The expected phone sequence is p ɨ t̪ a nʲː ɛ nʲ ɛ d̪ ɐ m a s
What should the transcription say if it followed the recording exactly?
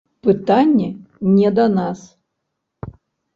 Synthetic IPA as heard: p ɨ t̪ a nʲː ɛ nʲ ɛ d̪ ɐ n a s